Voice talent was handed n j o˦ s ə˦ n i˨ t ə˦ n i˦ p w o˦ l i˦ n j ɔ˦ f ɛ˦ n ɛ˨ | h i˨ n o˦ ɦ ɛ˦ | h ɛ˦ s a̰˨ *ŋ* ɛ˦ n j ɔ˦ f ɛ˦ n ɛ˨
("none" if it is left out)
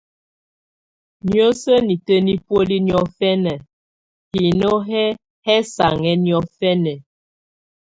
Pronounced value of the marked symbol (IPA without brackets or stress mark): ŋ